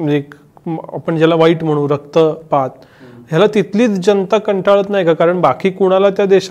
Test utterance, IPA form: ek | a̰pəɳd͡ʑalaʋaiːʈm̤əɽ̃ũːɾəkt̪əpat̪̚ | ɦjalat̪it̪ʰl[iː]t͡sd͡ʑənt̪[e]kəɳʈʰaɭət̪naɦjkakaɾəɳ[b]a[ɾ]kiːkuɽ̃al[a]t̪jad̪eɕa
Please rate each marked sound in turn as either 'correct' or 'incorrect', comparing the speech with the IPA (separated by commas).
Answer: correct, incorrect, correct, incorrect, correct